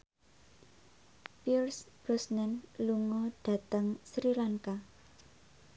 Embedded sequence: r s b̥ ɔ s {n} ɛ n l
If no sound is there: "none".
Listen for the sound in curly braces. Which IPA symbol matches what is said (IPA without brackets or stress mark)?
n